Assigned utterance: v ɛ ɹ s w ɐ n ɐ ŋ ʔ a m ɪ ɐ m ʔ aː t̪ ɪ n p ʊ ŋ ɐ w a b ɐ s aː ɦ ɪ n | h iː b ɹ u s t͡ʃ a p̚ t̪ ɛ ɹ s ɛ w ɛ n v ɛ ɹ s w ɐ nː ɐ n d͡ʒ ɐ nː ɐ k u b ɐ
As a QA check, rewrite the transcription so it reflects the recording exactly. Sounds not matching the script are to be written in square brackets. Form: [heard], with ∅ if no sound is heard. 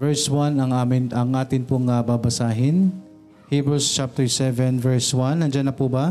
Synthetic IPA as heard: v ɛ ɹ s w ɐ n ɐ ŋ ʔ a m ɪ ɐ [ŋ] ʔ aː t̪ ɪ n p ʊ ŋ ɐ [b] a b ɐ s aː ɦ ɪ n | h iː b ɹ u s t͡ʃ a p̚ t̪ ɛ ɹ s ɛ [v] ɛ n v ɛ ɹ s w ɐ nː ɐ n d͡ʒ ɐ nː ɐ [p] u b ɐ